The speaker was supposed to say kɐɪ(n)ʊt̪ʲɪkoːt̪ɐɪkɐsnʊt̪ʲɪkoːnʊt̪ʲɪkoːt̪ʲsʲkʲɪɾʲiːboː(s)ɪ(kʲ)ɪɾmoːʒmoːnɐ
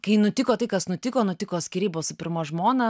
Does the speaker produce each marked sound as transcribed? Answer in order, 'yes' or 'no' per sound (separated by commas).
yes, yes, no